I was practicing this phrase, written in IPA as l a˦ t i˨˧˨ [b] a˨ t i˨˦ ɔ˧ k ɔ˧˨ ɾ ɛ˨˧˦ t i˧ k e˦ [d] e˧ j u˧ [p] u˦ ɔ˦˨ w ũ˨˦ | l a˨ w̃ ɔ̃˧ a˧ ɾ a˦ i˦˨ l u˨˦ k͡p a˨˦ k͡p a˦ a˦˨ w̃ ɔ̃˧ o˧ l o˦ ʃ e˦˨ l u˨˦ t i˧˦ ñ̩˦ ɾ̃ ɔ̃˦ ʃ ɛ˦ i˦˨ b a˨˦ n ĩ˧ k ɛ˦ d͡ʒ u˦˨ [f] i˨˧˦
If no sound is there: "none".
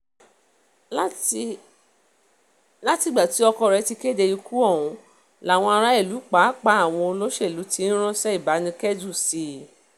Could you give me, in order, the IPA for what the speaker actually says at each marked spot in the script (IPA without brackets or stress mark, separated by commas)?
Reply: ɡ͡b, d, k, s